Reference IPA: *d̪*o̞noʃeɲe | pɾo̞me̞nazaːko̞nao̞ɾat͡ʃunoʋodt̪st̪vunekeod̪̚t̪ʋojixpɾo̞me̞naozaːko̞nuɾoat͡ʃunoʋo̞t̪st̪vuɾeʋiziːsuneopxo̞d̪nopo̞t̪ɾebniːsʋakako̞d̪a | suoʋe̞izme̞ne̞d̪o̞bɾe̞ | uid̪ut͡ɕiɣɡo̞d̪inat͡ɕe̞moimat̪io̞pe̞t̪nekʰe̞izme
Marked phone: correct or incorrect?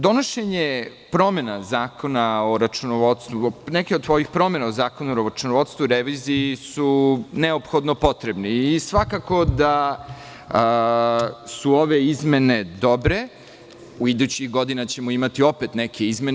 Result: correct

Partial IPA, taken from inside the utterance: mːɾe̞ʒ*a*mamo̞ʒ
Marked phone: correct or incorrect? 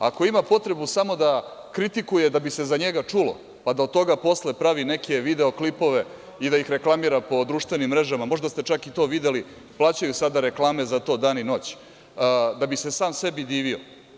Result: correct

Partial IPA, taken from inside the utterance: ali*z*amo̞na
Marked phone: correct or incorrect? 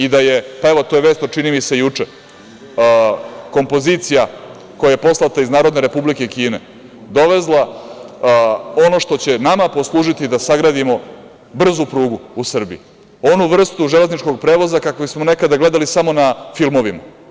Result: incorrect: s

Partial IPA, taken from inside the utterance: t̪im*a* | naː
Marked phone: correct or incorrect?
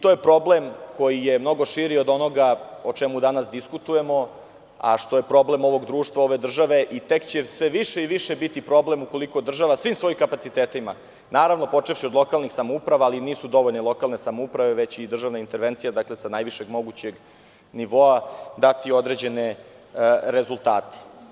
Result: correct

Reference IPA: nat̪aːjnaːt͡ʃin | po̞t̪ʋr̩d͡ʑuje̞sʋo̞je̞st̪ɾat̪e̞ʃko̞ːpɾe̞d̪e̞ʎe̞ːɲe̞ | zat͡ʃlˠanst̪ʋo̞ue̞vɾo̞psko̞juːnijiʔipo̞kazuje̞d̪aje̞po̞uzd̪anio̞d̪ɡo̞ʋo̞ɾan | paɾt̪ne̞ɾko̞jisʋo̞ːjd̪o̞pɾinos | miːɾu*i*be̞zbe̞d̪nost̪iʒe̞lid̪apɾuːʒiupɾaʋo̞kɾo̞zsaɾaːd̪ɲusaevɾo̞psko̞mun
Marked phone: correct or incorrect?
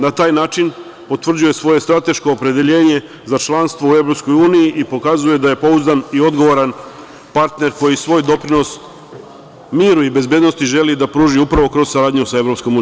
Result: correct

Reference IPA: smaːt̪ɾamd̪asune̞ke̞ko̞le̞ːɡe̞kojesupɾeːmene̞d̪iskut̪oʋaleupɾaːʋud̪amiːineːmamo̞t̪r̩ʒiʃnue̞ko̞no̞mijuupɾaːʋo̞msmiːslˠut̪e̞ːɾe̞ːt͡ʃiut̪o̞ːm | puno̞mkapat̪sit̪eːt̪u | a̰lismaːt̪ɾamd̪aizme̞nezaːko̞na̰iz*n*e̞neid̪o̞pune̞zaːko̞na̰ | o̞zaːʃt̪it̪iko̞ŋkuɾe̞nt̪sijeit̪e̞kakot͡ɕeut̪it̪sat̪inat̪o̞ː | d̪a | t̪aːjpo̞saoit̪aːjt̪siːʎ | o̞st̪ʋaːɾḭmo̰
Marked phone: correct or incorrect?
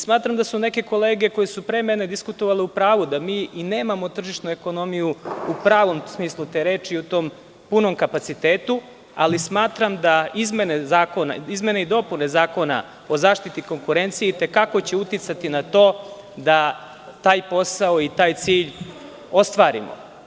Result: incorrect: m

